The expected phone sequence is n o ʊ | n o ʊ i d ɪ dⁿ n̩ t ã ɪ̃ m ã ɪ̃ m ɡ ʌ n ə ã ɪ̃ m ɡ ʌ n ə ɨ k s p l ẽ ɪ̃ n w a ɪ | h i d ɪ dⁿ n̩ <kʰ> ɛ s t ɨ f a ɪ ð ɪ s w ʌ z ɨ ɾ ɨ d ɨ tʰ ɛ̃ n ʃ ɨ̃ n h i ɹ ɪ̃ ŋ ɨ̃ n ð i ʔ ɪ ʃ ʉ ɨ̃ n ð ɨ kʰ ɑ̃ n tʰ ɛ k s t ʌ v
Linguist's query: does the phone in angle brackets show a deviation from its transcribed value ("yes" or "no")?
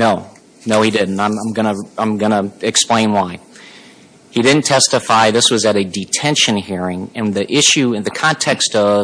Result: yes